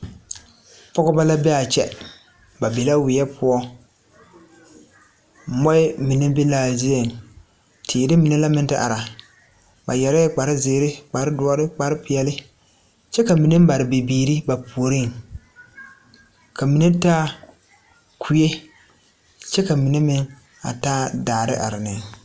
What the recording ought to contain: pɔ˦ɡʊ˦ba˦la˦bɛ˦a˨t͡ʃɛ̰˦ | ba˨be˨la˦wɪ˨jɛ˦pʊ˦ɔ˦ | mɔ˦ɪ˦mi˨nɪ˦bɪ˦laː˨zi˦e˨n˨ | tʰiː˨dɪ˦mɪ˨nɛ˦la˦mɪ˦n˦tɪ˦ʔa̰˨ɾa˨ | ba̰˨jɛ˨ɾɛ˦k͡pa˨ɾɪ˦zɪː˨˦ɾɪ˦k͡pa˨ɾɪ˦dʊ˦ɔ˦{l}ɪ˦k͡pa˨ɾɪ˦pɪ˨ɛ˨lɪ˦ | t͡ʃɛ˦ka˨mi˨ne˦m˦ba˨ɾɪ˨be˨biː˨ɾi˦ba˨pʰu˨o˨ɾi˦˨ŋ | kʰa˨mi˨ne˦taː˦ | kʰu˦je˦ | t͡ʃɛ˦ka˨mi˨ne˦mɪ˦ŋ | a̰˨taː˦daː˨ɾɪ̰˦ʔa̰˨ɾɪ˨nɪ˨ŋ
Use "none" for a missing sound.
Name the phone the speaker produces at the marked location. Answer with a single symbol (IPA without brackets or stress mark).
ɾ